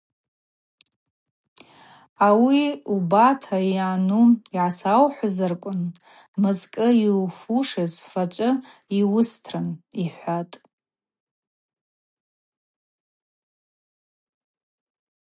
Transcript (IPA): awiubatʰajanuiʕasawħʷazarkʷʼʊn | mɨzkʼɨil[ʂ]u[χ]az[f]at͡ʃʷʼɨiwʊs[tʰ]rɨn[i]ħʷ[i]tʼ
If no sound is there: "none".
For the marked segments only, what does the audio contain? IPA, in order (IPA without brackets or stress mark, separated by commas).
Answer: f, ʂ, f, tʰ, i, a